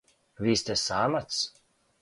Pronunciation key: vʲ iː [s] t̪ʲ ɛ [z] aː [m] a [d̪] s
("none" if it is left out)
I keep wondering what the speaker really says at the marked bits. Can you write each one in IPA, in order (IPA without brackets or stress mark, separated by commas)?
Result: s, s, m, t̪